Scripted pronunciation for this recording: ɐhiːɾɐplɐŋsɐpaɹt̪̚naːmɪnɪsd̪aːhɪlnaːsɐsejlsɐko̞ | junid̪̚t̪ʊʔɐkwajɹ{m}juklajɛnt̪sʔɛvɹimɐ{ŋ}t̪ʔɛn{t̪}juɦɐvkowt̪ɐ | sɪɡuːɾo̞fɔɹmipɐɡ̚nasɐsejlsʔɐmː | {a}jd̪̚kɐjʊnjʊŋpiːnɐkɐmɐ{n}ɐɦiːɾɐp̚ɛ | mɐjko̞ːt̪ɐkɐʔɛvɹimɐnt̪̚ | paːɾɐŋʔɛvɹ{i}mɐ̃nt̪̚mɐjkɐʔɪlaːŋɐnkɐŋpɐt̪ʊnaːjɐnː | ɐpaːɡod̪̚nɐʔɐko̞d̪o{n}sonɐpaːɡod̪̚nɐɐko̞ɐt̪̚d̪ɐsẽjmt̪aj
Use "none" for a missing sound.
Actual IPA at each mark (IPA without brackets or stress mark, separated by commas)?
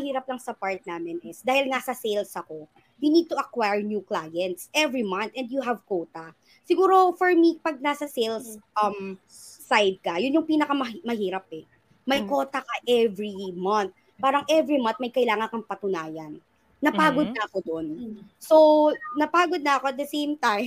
n, n, d̪, a, m, i, n